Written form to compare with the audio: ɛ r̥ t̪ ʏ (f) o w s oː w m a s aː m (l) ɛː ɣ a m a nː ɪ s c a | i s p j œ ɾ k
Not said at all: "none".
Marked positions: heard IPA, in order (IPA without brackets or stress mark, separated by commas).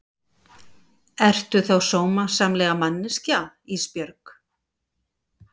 θ, l